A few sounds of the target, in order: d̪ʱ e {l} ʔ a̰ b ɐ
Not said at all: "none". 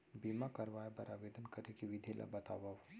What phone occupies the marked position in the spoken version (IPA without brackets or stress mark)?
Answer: l